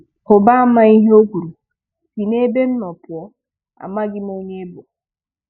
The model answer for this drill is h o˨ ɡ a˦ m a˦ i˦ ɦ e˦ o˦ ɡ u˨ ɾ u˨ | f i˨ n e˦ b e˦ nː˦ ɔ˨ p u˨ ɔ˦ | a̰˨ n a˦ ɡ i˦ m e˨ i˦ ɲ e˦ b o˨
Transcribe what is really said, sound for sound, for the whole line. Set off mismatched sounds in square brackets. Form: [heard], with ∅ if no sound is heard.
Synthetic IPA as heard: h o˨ [b] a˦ m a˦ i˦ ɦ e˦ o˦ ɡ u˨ ɾ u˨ | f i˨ n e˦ b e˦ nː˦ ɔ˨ p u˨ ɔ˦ | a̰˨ [m] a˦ ɡ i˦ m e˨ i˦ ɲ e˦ b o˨